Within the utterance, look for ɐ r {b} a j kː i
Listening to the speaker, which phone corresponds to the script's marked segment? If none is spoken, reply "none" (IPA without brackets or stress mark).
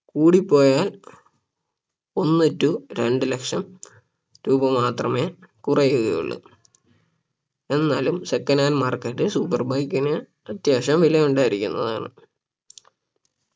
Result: b